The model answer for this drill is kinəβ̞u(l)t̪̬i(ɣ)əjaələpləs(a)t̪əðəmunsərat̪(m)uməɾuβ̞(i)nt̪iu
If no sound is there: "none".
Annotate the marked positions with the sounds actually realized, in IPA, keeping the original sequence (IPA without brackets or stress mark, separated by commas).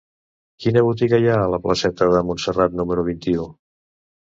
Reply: none, ɣ, ɛ, n, i